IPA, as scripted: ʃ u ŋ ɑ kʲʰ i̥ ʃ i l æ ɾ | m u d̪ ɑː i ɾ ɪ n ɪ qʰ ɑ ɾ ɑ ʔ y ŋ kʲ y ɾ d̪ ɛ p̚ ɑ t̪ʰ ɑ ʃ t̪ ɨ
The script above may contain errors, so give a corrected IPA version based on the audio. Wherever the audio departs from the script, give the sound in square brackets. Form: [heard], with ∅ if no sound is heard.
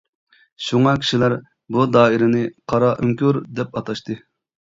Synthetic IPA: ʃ u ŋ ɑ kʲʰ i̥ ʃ i l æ ɾ | [b] u d̪ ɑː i ɾ ɪ n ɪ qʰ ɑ ɾ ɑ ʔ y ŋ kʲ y ɾ d̪ ɛ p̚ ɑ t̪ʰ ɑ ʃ t̪ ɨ